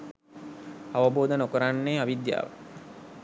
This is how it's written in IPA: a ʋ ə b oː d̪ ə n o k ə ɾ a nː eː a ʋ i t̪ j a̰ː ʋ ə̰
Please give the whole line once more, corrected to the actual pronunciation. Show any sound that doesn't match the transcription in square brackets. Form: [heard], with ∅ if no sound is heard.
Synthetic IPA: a ʋ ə b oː d̪ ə n o k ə ɾ a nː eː a ʋ i [d̪] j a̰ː ʋ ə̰

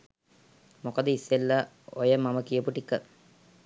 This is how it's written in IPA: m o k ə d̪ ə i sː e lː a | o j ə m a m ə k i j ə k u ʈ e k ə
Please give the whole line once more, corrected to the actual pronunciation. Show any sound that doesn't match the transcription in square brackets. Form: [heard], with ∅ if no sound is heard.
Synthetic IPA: m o k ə d̪ ə i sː e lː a | o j ə m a m ə k i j ə [p] u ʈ [i] k ə

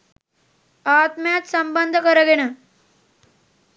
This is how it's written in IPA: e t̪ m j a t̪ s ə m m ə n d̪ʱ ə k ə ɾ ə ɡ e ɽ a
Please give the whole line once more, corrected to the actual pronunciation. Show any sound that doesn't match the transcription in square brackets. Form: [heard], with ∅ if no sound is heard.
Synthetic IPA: [a] t̪ m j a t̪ s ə m [b] ə n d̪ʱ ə k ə ɾ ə ɡ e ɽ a

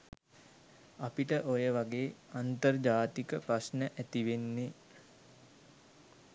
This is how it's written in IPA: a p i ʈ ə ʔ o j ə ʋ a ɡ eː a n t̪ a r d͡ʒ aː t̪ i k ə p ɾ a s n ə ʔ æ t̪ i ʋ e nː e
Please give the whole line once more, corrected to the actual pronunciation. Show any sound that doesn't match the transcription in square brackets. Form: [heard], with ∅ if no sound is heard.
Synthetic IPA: a p i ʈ ə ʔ o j ə ʋ a ɡ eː a n t̪ [ə] r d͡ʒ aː t̪ i k ə p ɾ a s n ə ʔ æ t̪ i ʋ e nː e

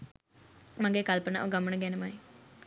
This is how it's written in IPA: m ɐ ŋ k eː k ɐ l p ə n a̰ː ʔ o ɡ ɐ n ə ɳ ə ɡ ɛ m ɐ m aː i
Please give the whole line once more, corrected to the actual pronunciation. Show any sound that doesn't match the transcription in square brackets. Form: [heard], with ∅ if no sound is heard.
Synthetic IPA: m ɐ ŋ [ɡ] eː k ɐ l p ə n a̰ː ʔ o ɡ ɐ [m] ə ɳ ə ɡ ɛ [n] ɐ m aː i

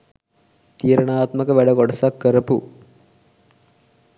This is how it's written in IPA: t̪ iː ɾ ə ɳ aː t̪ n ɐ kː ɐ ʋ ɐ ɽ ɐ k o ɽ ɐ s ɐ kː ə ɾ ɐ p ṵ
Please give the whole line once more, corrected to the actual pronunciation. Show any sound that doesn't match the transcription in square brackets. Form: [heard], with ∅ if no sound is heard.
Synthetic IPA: t̪ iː ɾ [ɐ] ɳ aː t̪ [m] ɐ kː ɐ ʋ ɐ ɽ ɐ k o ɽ ɐ s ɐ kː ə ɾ ɐ p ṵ

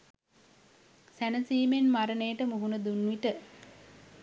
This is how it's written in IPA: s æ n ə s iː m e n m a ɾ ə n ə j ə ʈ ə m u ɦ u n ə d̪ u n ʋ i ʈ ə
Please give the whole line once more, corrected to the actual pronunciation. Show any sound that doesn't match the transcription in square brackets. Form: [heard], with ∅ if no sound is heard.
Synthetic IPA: s æ n ə s iː m e n m a ɾ ə n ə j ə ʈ ə m u ɦ u n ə d̪ u n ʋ i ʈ ə

